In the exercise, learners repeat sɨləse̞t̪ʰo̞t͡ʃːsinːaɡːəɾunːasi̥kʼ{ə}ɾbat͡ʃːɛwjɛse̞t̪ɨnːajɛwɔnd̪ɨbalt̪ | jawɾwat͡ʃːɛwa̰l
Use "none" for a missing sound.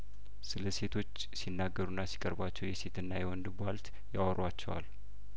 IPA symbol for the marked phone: ə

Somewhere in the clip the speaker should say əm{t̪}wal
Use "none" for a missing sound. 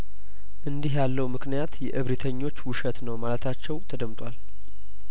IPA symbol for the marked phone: t̪ʼ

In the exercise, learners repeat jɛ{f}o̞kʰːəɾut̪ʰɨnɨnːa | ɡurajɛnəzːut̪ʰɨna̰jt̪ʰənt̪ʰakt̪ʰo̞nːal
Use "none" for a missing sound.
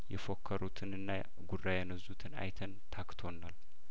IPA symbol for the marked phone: f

